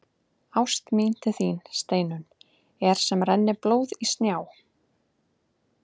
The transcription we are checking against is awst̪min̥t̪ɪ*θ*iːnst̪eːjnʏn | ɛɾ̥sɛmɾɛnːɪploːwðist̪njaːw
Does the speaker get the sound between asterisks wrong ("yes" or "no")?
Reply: no